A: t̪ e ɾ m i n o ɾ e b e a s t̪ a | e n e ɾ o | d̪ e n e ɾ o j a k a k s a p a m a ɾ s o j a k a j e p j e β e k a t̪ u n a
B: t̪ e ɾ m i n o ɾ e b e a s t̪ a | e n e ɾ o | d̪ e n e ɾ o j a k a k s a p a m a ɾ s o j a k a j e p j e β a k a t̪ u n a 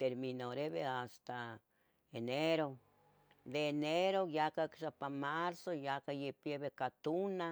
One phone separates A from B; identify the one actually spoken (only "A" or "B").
A